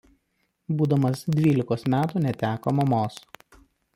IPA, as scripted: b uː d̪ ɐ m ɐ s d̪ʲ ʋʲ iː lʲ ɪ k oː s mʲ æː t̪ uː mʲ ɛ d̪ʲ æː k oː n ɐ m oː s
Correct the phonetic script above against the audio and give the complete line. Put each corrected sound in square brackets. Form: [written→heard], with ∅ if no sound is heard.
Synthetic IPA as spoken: b uː d̪ ɐ m ɐ s d̪ʲ ʋʲ iː lʲ ɪ k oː s mʲ æː t̪ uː [mʲ→nʲ] ɛ [d̪ʲ→t̪ʲ] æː k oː [n→m] ɐ m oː s